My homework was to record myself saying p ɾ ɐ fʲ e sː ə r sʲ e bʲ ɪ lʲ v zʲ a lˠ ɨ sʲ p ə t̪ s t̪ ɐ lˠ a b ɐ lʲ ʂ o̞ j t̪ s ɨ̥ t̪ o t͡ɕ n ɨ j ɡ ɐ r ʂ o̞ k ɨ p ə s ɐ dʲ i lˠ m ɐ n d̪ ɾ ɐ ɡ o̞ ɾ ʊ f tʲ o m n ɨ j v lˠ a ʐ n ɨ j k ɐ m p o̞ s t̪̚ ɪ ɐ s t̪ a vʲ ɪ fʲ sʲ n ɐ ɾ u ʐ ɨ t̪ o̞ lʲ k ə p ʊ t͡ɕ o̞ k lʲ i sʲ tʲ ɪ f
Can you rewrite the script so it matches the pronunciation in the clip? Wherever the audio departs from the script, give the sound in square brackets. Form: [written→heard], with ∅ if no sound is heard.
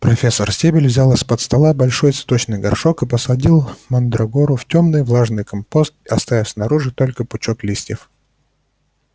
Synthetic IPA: p ɾ ɐ fʲ e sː ə r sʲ e bʲ ɪ lʲ v zʲ a lˠ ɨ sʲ p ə t̪ s t̪ ɐ lˠ a b ɐ lʲ ʂ o̞ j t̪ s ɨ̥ t̪ o t͡ɕ n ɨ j ɡ ɐ r ʂ o̞ k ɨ p ə s ɐ dʲ i lˠ m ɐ n d̪ ɾ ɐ ɡ o̞ ɾ ʊ f tʲ o m n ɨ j v lˠ a ʐ n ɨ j k ɐ m p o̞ s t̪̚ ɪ ɐ s t̪ a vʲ ɪ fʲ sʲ n ɐ ɾ u ʐ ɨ t̪ o̞ lʲ k ə p ʊ t͡ɕ o̞ k lʲ i sʲ tʲ ɪ f